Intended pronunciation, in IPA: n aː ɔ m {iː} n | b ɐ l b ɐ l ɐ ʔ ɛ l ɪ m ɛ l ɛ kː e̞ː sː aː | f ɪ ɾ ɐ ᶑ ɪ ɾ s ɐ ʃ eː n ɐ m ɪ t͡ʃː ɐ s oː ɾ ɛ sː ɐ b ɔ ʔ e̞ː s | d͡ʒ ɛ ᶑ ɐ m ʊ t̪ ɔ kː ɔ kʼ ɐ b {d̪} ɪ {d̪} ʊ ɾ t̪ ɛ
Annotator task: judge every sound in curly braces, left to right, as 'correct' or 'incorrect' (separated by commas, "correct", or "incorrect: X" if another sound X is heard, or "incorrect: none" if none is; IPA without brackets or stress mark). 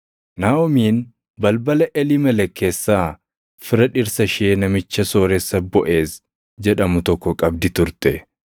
correct, correct, incorrect: t̪